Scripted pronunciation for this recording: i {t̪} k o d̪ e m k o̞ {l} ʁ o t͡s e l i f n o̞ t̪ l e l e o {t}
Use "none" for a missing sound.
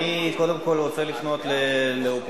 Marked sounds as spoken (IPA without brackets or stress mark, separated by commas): none, l, p